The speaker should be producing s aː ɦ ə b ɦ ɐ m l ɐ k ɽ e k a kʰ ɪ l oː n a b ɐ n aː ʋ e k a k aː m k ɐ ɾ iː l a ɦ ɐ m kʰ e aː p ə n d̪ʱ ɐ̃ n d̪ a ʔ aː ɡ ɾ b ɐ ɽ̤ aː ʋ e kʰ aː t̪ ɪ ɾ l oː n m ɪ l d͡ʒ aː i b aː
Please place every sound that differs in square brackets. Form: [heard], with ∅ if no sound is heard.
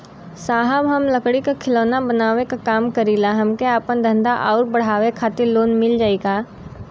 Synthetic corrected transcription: s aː ɦ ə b ɦ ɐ m l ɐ k ɽ [i] k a kʰ ɪ l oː n a b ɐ n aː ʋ e k a k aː m k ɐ ɾ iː l a ɦ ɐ m [k] e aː p ə n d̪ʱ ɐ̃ n d̪ a ʔ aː [∅] ɾ b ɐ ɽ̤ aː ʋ e kʰ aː t̪ ɪ ɾ l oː n m ɪ l d͡ʒ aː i [ɡ] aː